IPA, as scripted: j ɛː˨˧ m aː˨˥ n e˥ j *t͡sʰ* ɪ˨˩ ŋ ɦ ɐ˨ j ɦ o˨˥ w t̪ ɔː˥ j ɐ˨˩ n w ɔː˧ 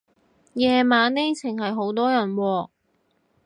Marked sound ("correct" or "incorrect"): correct